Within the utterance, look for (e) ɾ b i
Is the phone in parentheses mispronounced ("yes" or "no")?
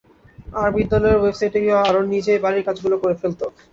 yes